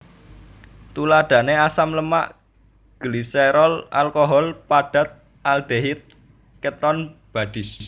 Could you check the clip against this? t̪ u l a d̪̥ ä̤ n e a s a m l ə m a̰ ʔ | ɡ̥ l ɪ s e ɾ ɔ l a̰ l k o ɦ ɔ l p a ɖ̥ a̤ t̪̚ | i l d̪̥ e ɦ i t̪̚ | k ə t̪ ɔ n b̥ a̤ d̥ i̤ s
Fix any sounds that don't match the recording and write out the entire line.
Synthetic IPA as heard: t̪ u l a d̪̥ ä̤ n e a s a m l ə m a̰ ʔ | ɡ̥ l i s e ɾ ɔ l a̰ l k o ɦ ɔ l p a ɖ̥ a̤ t̪̚ | a l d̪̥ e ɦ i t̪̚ | k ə t̪ ɔ n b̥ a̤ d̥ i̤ s